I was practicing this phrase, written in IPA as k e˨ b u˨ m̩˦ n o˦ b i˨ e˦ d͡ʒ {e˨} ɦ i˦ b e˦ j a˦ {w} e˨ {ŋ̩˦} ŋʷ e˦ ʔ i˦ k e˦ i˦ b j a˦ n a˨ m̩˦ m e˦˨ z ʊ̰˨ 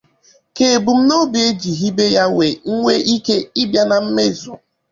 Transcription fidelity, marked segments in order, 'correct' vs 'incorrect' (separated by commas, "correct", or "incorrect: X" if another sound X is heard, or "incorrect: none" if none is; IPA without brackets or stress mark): incorrect: i˨, correct, correct